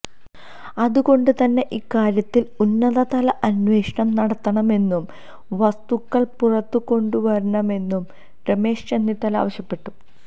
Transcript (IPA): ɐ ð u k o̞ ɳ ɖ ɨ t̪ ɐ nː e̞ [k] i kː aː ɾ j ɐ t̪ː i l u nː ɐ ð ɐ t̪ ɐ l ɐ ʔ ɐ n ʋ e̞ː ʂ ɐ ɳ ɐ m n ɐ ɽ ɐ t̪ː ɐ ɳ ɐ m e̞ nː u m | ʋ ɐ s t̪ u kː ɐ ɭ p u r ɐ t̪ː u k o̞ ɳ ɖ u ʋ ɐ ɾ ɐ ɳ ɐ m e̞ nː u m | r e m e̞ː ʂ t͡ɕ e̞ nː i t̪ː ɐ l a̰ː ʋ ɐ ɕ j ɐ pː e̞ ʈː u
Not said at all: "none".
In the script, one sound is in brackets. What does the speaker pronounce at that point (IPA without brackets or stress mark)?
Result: ʔ